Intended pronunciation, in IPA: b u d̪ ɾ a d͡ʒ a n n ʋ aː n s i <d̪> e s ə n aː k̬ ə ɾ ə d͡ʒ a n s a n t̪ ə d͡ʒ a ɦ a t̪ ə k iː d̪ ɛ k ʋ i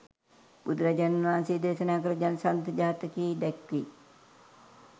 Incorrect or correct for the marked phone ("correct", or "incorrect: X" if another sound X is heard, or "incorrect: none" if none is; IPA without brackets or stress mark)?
correct